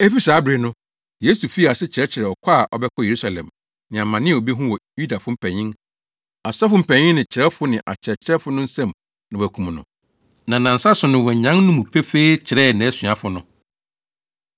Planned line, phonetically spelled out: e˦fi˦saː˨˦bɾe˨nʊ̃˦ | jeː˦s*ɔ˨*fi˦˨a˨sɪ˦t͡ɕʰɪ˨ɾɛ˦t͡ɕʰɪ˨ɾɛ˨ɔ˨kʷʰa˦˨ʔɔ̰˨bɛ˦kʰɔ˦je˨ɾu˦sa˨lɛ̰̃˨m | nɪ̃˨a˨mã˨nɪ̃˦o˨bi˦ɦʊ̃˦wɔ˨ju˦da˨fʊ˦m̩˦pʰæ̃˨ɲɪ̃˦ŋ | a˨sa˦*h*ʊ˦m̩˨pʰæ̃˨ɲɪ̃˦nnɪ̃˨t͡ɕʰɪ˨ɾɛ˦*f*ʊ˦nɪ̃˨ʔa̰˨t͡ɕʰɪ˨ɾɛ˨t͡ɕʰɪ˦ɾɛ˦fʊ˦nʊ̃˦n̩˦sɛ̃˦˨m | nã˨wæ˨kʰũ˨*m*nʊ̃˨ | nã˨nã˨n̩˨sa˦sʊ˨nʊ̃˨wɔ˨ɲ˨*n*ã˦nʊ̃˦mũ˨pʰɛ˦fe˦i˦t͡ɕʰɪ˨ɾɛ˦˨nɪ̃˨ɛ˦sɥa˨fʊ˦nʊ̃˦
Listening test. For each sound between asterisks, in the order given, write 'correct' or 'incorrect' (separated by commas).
incorrect, incorrect, correct, correct, incorrect